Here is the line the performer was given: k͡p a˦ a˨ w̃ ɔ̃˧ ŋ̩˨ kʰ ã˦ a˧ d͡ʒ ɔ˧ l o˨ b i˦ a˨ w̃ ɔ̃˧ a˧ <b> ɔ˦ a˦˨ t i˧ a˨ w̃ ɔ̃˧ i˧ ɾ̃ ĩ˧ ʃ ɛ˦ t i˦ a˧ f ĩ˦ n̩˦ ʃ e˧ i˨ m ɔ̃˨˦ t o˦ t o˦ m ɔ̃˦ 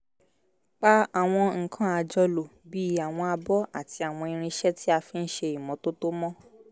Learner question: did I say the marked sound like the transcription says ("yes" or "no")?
yes